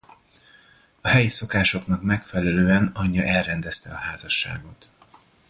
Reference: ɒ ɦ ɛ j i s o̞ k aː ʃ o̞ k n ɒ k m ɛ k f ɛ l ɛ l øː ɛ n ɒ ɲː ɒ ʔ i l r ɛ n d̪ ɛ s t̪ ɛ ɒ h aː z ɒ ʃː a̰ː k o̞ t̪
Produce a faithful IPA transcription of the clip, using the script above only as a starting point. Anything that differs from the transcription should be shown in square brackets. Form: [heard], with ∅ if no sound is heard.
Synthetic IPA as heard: ɒ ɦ ɛ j i s o̞ k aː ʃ o̞ k n ɒ k m ɛ k f ɛ l ɛ l øː ɛ n ɒ ɲː ɒ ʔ [ɛ] l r ɛ n d̪ ɛ s t̪ ɛ ɒ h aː z ɒ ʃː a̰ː [ɡ] o̞ t̪